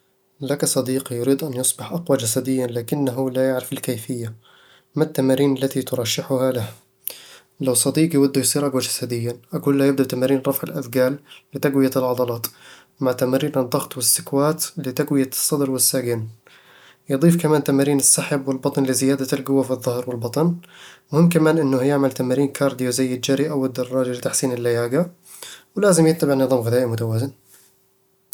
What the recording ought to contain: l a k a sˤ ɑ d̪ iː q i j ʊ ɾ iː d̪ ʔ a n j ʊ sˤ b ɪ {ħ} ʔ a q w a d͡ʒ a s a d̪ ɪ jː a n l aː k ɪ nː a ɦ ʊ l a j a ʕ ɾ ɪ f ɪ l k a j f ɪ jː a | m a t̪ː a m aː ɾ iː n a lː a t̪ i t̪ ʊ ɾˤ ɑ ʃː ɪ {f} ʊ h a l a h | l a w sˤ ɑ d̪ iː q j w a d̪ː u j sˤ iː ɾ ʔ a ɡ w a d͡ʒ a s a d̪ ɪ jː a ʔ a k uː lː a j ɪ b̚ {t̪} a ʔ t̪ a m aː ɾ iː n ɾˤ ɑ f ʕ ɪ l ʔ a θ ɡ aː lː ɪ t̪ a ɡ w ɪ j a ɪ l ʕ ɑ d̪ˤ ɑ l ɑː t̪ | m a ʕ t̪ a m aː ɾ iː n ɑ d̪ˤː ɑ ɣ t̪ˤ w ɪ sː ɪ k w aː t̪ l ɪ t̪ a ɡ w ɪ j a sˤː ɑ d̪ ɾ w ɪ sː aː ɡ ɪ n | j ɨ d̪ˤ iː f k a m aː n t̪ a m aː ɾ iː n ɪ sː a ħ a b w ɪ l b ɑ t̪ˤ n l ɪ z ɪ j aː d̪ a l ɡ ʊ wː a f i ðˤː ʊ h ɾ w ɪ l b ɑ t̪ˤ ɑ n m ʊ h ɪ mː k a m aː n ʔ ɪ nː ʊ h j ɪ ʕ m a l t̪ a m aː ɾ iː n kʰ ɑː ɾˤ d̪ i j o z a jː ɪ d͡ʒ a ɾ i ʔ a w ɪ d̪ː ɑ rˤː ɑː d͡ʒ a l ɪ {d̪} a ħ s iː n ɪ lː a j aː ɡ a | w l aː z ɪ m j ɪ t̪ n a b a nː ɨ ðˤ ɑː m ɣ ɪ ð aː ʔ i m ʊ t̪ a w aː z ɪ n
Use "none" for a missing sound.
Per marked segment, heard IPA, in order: ħ, ħ, d̪, t̪

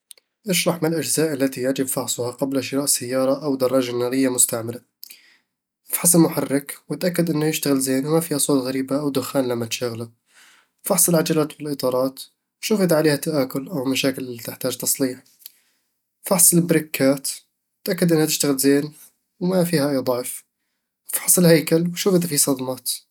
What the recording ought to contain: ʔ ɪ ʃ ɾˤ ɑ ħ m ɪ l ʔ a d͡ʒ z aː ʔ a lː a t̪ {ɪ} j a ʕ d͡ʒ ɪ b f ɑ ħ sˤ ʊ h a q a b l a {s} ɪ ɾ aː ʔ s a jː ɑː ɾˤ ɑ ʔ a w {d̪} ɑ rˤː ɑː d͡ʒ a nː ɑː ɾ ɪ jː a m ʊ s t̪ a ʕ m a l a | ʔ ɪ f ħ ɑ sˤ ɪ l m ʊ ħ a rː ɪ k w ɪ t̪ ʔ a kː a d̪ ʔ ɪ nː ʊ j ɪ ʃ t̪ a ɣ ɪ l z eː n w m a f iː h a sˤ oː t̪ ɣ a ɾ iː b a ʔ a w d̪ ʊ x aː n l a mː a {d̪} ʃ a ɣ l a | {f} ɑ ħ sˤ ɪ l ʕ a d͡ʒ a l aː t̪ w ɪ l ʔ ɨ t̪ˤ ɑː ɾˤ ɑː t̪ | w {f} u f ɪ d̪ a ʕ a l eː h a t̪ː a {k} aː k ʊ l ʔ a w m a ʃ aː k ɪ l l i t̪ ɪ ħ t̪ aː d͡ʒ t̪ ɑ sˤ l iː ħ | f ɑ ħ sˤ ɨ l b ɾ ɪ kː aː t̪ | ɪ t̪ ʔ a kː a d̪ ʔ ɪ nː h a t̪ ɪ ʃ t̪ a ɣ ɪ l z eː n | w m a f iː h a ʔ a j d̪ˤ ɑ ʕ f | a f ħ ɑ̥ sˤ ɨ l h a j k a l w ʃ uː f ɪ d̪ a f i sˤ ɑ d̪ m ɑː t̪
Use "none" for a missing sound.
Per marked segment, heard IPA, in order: i, ʃ, d̪, t̪, f, ʃ, ʔ

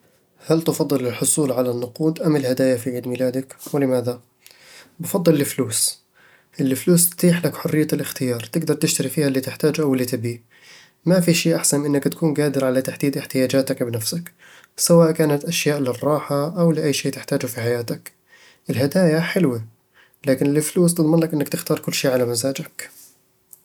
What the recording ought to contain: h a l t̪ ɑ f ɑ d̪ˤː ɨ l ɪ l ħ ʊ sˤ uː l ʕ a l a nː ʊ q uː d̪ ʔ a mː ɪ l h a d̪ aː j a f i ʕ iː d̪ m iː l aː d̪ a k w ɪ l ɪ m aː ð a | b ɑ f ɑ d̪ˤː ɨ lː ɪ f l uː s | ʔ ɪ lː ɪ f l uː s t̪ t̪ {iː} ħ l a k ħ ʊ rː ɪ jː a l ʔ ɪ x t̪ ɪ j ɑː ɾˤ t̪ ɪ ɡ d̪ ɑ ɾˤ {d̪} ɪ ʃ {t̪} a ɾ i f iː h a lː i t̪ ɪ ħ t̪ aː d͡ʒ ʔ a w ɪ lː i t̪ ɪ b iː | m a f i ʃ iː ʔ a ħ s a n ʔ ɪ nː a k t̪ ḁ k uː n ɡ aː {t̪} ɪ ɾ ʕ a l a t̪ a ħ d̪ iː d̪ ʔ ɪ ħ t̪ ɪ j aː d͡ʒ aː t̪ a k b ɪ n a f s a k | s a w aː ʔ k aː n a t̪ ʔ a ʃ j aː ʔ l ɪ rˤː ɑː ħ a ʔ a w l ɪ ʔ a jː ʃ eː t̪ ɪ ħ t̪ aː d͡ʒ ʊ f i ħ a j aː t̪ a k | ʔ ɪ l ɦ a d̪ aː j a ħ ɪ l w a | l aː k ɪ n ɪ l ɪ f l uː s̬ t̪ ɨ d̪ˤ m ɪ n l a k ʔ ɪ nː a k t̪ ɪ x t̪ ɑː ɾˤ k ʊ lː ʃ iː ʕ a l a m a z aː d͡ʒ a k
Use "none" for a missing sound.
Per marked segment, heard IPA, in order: iː, t̪, t̪, d̪

